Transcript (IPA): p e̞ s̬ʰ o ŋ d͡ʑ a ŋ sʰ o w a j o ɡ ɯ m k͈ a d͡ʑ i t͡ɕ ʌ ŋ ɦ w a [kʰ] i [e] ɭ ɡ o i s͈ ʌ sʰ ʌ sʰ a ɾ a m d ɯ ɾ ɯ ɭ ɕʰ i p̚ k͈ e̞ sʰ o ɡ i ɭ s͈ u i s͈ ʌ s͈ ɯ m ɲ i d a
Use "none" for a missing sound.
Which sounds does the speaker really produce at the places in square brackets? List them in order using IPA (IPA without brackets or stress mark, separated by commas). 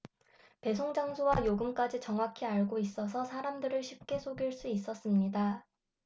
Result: kʰ, a